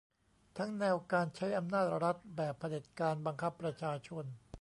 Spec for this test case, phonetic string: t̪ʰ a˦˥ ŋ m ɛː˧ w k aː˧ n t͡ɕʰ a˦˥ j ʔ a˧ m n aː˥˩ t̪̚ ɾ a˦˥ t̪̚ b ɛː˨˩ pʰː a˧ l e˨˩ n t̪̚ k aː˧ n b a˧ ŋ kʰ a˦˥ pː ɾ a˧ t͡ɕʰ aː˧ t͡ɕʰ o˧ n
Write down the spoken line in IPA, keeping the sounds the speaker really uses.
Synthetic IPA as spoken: t̪ʰ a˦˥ ŋ n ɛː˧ w k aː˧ n t͡ɕʰ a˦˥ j ʔ a˧ m n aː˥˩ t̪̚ ɾ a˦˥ t̪̚ b ɛː˨˩ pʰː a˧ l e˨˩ t̪̚ k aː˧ n b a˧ ŋ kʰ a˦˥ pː ɾ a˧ t͡ɕʰ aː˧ t͡ɕʰ o˧ n